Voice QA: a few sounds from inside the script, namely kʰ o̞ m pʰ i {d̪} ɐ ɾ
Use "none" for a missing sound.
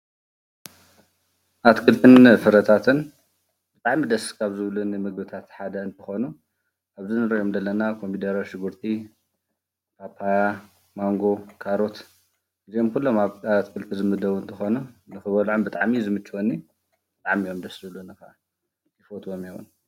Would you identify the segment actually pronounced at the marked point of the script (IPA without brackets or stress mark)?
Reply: d̪